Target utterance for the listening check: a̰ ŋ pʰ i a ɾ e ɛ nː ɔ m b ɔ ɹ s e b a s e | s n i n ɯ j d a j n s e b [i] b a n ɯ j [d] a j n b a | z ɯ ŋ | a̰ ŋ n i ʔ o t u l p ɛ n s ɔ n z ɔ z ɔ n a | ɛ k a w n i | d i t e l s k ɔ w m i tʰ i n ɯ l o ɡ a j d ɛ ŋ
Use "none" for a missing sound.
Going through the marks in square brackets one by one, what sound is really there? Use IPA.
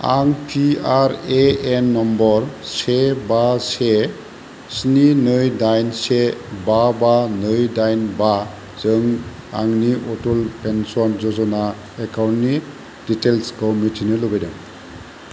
a, d

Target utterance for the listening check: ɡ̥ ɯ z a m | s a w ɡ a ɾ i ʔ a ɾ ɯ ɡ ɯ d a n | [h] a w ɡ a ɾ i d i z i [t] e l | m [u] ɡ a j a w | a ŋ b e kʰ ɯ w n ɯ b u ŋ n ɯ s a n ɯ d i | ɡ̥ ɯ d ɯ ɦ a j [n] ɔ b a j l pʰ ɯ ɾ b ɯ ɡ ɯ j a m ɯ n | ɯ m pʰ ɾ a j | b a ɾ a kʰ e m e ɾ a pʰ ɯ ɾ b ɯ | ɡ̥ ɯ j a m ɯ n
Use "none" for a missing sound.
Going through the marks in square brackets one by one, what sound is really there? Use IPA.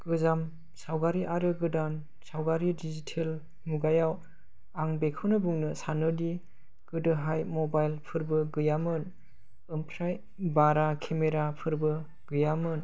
s, tʰ, u, m

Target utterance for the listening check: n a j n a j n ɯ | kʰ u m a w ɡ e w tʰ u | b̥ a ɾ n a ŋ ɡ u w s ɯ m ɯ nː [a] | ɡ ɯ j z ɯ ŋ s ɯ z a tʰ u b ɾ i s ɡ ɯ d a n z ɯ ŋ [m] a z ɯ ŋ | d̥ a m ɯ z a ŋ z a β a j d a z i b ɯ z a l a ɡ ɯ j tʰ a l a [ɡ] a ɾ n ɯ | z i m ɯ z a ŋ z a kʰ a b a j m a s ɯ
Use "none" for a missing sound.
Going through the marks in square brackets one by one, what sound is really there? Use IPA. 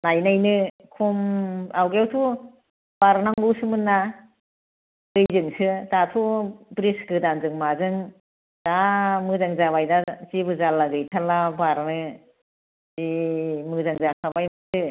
a, m, b

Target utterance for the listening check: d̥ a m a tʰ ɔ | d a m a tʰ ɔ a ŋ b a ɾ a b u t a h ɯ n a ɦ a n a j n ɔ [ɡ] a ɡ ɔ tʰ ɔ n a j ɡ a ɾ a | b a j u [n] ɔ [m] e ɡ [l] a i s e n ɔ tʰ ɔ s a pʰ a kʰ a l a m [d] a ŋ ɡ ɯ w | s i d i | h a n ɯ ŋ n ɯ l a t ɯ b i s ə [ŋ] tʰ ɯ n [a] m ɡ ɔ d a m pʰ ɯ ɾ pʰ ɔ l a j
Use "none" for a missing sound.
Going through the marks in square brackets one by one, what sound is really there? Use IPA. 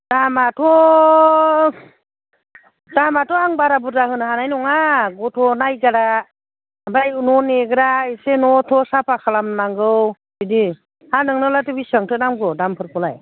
ŋ, n, n, ɾ, n, ŋ, a

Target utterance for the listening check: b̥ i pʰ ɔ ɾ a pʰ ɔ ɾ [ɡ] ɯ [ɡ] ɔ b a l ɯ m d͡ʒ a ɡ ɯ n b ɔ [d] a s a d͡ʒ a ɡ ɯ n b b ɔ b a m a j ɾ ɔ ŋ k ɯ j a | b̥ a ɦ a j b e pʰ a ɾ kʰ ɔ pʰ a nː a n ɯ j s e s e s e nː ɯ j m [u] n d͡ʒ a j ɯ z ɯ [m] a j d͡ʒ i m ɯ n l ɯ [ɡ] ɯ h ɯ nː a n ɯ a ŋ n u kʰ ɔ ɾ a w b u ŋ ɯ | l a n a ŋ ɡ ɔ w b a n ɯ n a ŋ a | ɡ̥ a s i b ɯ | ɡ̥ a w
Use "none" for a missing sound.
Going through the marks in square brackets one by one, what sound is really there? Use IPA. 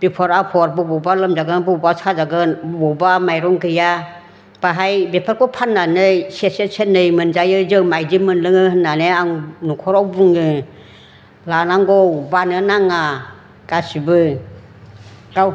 b, b, b, ɯ, m, ŋ

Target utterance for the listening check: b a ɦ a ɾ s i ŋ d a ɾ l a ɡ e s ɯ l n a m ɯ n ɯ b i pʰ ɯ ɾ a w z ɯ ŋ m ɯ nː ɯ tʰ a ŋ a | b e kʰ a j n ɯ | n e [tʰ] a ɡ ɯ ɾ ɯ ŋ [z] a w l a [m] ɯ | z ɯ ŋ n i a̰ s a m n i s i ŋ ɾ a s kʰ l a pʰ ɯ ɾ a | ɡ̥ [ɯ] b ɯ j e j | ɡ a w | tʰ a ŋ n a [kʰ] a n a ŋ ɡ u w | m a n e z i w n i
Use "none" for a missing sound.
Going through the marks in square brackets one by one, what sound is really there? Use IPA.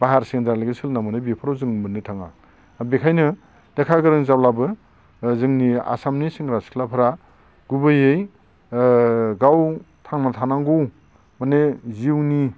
kʰ, z, b, u, tʰ

